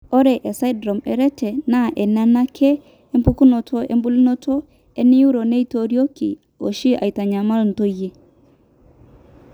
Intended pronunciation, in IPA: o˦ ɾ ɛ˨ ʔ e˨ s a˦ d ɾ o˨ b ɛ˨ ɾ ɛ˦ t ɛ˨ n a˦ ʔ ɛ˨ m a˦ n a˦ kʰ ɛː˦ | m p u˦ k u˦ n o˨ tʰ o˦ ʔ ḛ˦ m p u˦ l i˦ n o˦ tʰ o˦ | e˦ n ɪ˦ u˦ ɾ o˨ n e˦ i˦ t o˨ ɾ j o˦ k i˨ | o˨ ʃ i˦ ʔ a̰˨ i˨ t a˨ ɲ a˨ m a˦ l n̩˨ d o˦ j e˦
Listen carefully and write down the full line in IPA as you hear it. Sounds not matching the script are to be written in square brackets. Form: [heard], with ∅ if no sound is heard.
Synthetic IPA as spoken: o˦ ɾ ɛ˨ ʔ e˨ s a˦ d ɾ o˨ [m] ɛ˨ ɾ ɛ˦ t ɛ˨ n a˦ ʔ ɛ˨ [n] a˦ n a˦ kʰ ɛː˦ | m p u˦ k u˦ n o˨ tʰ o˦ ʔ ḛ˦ m [b] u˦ l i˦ n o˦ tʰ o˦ | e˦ n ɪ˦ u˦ ɾ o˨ n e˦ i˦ t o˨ ɾ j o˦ k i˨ | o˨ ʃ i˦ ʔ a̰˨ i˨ t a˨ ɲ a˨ m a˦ l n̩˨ [t] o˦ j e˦